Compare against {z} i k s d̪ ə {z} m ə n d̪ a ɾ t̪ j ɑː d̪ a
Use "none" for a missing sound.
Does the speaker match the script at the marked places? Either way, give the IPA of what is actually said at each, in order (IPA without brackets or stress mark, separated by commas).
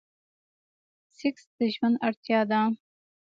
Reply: s, ʒ